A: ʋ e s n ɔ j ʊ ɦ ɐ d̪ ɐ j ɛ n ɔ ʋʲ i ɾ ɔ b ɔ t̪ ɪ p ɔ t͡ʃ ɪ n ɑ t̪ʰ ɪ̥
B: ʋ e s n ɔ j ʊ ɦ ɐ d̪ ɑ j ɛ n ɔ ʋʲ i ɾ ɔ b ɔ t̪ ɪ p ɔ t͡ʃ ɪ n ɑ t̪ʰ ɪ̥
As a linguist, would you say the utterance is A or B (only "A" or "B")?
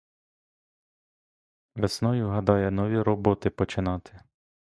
B